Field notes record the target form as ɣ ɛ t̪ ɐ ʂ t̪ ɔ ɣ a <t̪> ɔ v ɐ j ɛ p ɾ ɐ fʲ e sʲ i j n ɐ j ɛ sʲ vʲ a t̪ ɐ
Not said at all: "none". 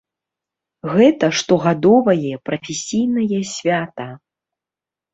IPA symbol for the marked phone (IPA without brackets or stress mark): d̪